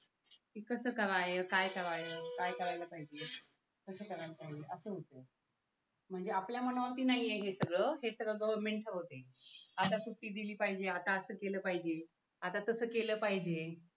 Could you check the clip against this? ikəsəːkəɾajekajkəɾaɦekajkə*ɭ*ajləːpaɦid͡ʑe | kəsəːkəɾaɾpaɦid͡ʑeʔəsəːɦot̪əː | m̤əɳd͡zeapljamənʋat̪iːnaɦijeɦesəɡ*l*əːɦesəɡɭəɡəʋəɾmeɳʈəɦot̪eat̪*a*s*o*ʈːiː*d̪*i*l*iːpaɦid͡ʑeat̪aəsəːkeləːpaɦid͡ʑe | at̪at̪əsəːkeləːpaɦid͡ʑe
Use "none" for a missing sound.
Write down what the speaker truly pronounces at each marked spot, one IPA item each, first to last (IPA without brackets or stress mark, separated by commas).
ɾ, ɭ, a, u, d̪, l